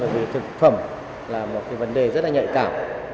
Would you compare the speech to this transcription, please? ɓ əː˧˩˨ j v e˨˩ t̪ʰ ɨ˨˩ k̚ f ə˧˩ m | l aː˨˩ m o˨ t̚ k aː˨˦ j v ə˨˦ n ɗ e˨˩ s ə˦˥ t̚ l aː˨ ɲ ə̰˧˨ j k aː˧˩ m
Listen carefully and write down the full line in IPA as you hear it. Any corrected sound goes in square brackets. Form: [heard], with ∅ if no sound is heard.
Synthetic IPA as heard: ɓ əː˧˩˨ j v [i˨˩] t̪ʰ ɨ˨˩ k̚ f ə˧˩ m | l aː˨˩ m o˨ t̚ k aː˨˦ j v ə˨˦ n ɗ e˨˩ [z] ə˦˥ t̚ l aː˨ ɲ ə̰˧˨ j k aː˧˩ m